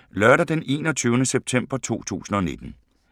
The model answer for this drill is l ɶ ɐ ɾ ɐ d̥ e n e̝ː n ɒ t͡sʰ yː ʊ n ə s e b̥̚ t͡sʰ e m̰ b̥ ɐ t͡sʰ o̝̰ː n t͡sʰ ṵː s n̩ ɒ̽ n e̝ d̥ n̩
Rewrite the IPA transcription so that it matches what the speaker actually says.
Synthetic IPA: l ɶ ɐ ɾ ɐ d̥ e n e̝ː n ɒ t͡sʰ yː ʊ n ə s e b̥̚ t͡sʰ e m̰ b̥ ɐ t͡sʰ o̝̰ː t͡sʰ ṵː s n̩ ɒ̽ n e̝ d̥ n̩